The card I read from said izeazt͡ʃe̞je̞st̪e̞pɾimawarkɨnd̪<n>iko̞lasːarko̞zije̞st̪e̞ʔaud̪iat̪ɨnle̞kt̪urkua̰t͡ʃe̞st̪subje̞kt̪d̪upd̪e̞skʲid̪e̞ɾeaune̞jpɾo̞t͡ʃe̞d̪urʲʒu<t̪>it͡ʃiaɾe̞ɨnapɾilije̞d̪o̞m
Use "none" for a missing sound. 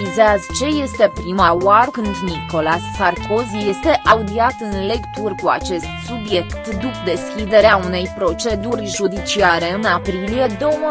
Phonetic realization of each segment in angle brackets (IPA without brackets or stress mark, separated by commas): n, d̪